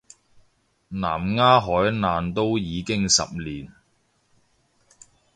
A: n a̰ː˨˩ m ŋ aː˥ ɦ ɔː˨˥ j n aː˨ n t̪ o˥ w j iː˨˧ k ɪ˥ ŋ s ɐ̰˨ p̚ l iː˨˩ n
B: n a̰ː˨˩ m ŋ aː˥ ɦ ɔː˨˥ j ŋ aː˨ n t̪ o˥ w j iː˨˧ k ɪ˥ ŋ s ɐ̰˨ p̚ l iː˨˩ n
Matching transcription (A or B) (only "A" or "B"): A